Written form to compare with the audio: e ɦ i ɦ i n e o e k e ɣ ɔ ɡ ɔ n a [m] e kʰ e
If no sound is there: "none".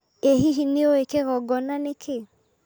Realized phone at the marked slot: n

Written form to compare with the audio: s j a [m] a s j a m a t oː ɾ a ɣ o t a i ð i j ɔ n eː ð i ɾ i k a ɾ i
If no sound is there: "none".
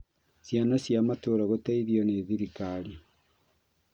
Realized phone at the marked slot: n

